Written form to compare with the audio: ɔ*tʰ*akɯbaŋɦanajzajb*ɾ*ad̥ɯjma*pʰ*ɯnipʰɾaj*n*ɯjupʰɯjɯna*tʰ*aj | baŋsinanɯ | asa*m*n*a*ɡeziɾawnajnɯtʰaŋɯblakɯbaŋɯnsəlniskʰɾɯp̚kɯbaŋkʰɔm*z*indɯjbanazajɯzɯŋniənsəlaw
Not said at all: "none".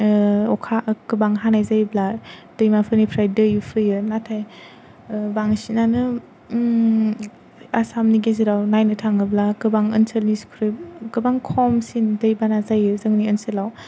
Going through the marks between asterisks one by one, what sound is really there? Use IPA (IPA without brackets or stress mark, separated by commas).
kʰ, l, pʰ, d, tʰ, m, i, s